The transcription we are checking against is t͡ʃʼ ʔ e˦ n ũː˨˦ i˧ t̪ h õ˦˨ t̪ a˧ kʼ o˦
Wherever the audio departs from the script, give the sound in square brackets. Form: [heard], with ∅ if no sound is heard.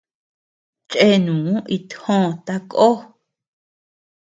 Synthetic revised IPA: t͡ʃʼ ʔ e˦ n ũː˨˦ i˧ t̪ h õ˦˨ t̪ a˧ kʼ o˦